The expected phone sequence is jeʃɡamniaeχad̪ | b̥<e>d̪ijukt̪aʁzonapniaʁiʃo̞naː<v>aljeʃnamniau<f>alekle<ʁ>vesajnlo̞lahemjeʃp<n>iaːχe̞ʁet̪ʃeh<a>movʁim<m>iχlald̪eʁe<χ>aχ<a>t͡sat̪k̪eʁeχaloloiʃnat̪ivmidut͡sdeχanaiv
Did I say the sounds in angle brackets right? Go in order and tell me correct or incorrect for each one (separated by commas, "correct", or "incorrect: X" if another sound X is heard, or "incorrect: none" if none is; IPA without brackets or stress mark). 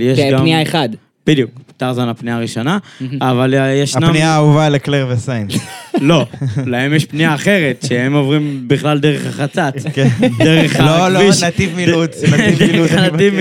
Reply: incorrect: i, correct, incorrect: v, correct, correct, incorrect: e, incorrect: b, correct, correct